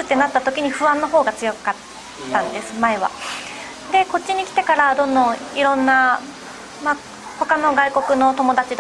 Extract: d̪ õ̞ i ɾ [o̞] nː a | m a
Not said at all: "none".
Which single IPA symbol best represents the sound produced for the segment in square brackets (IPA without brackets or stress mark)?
õ̞